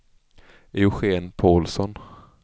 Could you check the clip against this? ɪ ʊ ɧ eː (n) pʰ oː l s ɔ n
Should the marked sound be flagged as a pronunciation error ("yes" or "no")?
no